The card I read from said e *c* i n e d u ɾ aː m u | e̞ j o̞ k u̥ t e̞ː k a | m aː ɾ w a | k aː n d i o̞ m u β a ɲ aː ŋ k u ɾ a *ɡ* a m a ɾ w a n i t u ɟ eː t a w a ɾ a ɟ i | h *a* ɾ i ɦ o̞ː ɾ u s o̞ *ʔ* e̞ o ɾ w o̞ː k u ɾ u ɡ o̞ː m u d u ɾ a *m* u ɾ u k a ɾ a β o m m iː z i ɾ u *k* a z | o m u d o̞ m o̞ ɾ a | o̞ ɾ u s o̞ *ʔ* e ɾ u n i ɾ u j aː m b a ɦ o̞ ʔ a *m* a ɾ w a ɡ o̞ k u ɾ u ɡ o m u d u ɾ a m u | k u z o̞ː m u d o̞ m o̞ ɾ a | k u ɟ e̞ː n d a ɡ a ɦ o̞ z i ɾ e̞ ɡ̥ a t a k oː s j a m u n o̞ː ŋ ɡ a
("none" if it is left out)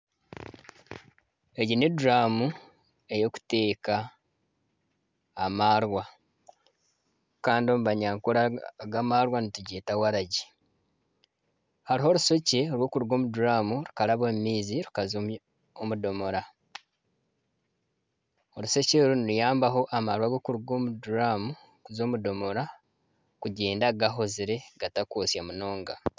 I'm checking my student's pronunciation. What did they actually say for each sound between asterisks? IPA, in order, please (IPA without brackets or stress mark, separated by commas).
ɟ, ɡ, a, c, m, k, c, m